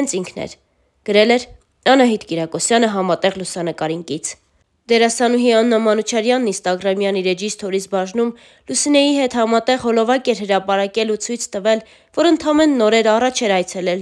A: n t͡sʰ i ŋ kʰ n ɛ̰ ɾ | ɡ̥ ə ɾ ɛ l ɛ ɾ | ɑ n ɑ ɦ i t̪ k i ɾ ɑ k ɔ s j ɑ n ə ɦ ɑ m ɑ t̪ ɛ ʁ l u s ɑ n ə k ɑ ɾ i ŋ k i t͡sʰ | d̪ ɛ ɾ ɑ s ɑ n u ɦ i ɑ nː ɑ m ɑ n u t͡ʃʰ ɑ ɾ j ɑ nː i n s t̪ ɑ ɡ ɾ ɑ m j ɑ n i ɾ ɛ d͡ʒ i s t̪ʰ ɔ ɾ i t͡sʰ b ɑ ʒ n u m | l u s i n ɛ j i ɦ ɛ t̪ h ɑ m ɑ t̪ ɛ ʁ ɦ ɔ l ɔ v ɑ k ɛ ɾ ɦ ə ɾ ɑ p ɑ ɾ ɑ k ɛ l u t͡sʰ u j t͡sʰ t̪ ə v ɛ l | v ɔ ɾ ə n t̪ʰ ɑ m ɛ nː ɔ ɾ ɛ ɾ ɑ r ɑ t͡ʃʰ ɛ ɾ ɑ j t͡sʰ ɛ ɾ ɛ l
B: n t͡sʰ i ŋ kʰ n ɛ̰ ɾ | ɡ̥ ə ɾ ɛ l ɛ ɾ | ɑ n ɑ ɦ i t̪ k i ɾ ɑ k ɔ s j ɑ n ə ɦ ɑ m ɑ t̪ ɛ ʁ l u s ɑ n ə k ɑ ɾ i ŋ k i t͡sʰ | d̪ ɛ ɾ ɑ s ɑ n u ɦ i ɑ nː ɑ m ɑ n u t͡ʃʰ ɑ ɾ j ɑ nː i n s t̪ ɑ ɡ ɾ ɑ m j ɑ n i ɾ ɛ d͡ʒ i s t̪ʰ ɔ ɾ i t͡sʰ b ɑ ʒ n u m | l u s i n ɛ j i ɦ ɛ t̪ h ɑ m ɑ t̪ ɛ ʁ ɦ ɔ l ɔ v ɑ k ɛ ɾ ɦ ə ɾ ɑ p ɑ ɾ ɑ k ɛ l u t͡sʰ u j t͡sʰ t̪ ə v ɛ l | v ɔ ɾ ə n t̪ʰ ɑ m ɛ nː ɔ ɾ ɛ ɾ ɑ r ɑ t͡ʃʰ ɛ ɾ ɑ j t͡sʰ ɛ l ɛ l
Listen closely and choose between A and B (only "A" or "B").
B